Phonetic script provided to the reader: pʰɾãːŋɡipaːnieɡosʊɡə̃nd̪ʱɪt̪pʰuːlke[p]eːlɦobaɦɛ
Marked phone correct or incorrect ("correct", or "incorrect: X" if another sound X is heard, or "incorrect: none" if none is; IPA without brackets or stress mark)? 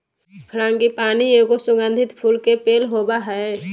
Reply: correct